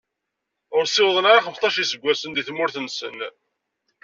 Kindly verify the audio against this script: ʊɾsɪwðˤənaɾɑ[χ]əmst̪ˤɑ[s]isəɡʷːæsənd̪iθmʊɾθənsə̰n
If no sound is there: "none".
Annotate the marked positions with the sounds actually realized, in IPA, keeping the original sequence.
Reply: χ, ʃ

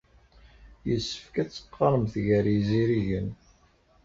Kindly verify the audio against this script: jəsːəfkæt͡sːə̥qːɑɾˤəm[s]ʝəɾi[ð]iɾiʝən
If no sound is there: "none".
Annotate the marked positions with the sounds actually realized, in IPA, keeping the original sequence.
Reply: θ, z

